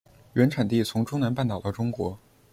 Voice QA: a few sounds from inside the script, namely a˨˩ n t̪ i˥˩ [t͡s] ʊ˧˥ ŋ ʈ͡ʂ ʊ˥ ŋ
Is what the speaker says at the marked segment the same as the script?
no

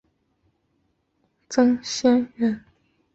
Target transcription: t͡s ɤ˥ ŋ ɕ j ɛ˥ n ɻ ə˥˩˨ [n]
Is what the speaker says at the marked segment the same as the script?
yes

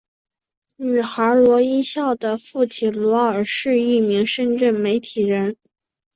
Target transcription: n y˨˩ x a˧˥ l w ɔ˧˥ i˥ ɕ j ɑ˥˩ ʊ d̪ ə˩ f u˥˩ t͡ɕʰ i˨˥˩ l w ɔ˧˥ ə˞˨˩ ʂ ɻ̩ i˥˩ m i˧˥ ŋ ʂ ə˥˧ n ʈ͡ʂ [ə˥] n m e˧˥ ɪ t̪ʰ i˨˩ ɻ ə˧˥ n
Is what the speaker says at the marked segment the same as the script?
no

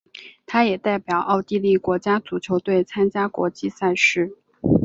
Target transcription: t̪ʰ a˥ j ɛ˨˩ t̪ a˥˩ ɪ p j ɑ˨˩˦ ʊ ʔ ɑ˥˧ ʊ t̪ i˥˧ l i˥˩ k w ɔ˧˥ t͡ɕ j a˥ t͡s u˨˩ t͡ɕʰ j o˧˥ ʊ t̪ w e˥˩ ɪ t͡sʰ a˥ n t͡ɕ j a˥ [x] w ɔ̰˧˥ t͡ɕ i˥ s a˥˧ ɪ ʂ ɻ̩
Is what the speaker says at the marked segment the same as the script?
no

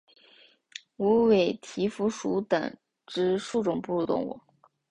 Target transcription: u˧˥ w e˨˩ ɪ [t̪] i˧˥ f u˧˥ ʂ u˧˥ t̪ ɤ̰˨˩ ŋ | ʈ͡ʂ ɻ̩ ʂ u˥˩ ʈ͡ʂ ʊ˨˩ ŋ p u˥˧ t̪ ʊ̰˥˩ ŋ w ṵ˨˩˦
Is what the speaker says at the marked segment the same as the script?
no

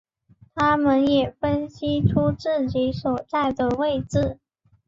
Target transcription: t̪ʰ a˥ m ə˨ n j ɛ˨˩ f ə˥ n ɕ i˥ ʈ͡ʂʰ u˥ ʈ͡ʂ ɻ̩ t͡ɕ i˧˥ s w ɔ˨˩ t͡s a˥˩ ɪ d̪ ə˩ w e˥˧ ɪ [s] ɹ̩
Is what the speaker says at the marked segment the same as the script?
no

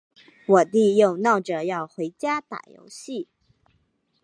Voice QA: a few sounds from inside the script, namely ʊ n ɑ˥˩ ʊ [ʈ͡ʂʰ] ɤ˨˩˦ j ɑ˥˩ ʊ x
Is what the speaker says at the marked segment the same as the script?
no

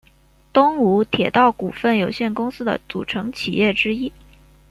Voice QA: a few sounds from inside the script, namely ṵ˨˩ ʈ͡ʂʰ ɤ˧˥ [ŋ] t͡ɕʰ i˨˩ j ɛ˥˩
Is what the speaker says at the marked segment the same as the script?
yes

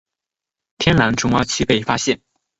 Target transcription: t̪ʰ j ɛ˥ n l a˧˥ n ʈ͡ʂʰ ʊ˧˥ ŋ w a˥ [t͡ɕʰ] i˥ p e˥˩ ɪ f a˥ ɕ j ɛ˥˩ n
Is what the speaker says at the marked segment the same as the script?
yes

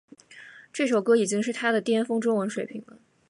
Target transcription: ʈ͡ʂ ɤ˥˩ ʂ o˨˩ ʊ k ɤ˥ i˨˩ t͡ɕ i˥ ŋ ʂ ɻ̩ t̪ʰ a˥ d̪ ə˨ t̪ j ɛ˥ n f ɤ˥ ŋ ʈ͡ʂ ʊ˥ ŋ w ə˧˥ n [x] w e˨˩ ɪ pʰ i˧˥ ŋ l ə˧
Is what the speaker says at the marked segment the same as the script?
no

